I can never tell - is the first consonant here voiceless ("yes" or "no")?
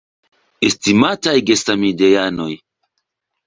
yes